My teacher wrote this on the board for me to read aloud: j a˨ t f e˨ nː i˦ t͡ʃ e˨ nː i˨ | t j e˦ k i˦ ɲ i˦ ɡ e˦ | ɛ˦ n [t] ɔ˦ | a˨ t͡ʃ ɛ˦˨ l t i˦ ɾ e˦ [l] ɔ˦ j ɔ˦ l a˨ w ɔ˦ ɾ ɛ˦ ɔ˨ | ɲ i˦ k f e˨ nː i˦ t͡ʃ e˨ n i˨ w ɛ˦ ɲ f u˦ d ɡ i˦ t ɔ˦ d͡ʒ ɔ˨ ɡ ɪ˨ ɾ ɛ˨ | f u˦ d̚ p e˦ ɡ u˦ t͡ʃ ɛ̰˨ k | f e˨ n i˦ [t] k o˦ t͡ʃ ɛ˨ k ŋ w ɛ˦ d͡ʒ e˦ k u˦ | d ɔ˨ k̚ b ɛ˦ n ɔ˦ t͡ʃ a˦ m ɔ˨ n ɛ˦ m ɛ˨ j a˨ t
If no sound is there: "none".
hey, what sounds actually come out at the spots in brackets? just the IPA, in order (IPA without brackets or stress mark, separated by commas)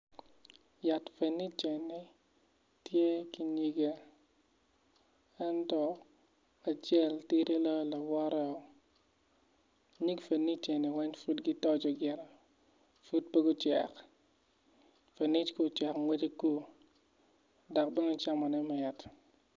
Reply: t, l, t͡ʃ